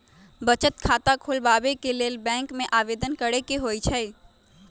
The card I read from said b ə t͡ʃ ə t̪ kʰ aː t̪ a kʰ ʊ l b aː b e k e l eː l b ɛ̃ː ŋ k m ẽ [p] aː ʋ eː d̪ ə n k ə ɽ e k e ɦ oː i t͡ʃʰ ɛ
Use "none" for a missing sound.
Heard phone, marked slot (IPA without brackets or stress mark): ʔ